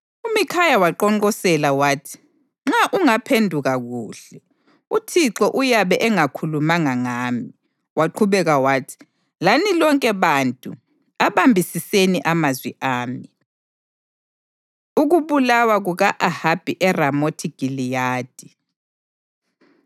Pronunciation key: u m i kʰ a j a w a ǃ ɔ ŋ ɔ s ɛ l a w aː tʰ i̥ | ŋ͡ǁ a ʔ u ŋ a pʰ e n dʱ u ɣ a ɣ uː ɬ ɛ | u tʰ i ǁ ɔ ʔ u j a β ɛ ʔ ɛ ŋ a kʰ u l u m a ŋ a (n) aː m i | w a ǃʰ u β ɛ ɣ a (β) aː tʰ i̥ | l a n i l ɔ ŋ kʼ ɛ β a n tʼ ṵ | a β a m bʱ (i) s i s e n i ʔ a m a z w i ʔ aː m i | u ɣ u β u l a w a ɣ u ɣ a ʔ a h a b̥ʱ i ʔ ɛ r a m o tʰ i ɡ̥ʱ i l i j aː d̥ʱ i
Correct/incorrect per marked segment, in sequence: incorrect: ŋ, incorrect: w, correct

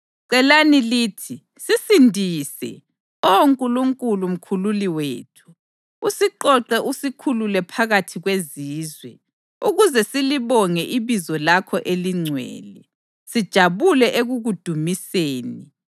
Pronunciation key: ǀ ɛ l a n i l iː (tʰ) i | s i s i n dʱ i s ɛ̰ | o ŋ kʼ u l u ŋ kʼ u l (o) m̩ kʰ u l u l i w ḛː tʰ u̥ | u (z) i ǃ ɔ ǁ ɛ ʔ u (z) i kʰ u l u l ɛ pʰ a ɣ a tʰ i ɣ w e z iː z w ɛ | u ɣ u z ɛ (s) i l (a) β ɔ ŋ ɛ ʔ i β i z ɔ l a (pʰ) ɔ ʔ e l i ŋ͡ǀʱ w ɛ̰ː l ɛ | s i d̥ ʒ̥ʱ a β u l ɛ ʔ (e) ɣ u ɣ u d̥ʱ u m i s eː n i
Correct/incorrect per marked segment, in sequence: correct, incorrect: u, incorrect: s, incorrect: s, correct, incorrect: i, incorrect: kʰ, correct

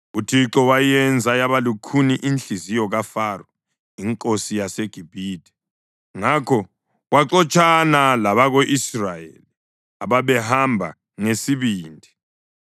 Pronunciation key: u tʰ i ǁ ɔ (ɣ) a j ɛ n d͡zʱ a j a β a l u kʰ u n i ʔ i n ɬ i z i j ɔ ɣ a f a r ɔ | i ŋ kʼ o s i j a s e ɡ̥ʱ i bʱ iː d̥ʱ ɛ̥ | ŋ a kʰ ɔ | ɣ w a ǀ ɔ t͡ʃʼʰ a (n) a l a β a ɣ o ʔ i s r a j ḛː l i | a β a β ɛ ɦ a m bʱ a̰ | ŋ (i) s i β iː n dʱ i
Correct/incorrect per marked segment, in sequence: incorrect: w, correct, incorrect: e

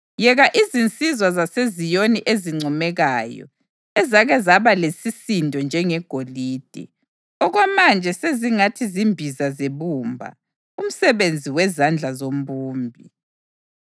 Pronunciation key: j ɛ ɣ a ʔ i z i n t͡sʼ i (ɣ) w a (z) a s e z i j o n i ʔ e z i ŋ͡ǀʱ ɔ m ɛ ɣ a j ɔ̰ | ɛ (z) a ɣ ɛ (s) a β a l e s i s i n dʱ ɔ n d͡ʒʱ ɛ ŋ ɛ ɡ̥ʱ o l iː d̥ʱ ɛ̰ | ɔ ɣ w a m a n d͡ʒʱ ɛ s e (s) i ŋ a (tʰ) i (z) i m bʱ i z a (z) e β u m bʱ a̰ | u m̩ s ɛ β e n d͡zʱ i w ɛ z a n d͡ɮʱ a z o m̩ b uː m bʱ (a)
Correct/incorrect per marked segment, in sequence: incorrect: z, correct, correct, incorrect: z, incorrect: z, correct, correct, correct, incorrect: i

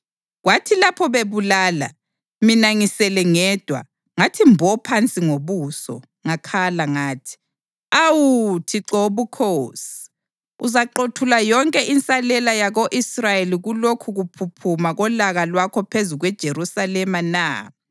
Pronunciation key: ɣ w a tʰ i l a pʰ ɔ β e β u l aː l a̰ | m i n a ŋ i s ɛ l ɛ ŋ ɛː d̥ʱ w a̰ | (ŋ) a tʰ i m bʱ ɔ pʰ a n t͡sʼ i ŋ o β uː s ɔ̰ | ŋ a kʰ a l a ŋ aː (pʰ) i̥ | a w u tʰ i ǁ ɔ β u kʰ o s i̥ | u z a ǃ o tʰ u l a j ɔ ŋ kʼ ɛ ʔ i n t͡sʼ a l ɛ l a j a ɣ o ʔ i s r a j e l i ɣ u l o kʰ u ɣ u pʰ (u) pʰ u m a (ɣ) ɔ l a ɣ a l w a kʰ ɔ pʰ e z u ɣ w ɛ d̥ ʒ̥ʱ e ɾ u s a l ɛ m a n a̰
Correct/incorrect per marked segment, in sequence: correct, incorrect: tʰ, correct, correct

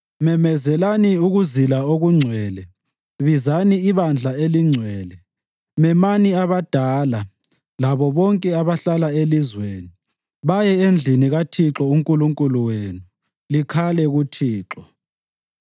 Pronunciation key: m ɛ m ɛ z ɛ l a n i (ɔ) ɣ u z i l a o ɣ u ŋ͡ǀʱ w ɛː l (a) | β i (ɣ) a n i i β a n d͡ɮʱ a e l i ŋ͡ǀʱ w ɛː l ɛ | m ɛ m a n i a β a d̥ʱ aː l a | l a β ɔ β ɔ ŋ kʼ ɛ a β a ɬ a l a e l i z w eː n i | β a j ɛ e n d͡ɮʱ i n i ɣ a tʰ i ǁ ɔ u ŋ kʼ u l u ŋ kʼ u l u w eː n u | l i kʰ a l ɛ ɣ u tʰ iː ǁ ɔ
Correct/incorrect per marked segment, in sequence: incorrect: u, incorrect: ɛ, incorrect: z

